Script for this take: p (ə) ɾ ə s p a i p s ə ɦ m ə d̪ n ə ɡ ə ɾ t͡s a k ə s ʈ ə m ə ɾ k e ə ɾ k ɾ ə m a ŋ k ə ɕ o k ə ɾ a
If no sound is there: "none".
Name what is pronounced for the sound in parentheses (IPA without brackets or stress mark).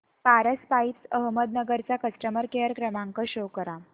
a